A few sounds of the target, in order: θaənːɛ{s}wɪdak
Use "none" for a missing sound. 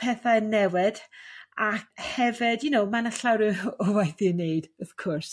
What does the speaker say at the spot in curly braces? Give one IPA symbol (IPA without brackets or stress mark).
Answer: none